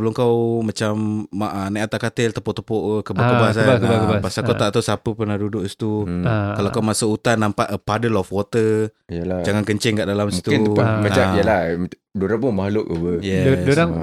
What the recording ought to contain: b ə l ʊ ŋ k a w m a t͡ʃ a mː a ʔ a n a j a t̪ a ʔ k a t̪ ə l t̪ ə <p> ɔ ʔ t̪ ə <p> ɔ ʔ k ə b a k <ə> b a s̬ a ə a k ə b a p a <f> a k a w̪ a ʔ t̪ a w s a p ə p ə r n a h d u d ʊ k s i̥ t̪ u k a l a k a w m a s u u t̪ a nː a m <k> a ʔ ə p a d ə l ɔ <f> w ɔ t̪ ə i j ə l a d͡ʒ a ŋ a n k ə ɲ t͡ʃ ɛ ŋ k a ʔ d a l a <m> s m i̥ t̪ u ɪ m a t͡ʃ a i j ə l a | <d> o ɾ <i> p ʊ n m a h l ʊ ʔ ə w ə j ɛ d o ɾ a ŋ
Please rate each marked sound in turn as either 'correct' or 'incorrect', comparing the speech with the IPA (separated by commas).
correct, correct, correct, incorrect, incorrect, correct, correct, correct, incorrect